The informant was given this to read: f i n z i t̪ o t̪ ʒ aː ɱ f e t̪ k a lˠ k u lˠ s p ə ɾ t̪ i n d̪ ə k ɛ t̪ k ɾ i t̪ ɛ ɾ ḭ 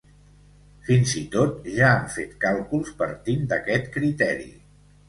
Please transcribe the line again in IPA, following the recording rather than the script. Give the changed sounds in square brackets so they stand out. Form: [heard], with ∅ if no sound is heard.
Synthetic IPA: f i n z i t̪ o t̪ ʒ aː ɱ f e t̪ k a lˠ k u lˠ s p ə ɾ t̪ i n d̪ ə k ɛ t̪ k ɾ i t̪ ɛ ɾ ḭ